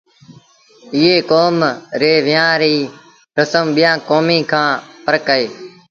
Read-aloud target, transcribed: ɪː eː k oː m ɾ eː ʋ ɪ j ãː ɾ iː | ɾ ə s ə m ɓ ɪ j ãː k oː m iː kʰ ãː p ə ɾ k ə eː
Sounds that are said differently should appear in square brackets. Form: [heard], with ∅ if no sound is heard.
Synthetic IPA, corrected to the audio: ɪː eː k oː m ɾ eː ʋ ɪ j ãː ɾ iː | ɾ ə s ə m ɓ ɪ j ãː k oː m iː kʰ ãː p ə ɾ k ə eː